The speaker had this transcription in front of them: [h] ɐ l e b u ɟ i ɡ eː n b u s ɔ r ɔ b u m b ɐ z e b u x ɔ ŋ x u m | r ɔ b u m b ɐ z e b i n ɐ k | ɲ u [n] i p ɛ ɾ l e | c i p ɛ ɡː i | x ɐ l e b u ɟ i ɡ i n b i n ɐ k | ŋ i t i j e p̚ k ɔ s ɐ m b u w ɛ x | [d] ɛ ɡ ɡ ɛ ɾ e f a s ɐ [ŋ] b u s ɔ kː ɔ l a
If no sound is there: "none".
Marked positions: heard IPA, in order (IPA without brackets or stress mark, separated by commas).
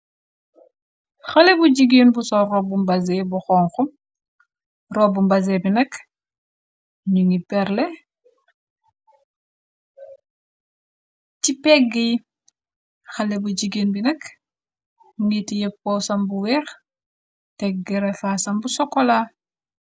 x, ŋ, t, m